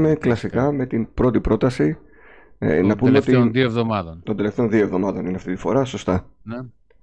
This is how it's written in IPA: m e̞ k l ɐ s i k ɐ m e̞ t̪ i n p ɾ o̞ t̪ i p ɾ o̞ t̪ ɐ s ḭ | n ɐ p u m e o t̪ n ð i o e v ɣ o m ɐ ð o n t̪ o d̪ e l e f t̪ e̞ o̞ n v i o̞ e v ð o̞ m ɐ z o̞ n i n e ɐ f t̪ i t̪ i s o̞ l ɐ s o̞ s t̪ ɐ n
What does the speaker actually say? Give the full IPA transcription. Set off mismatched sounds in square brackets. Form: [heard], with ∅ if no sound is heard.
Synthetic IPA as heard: m e̞ k l ɐ s i k ɐ m e̞ t̪ i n p ɾ o̞ t̪ i p ɾ o̞ t̪ ɐ s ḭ | n ɐ p u m e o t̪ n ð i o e v [ð] o m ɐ ð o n t̪ o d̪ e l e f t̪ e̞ o̞ n [ð] i o̞ e v ð o̞ m ɐ [ð] o̞ n i n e ɐ f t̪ i t̪ i [f] o̞ [ɾ] ɐ s o̞ s t̪ ɐ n